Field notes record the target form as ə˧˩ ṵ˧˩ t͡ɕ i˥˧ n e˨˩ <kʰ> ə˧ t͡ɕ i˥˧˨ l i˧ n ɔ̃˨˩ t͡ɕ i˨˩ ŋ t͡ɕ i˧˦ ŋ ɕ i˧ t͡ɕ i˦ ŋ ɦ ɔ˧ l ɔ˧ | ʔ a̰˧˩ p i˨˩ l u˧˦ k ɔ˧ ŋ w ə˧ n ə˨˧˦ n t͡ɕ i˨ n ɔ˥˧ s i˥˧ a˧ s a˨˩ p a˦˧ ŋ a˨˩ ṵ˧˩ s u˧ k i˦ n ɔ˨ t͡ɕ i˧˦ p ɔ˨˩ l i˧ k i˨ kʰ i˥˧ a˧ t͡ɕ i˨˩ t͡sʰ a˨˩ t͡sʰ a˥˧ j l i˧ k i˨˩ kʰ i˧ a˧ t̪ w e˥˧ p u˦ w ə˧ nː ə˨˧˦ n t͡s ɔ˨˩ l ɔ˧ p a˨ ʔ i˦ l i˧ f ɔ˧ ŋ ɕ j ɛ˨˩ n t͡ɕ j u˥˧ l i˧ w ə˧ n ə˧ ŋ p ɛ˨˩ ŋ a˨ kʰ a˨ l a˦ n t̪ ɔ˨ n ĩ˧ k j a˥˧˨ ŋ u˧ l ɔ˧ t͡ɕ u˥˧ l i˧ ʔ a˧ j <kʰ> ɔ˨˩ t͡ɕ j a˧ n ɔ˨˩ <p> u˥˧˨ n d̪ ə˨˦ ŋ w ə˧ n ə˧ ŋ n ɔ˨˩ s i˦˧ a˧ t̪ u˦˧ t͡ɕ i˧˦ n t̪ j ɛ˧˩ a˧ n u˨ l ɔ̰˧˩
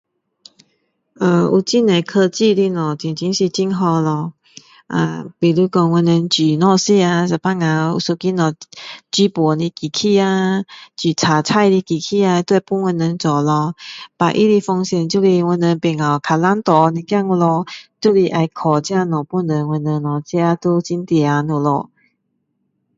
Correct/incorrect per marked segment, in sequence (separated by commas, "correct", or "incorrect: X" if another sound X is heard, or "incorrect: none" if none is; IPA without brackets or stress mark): correct, correct, correct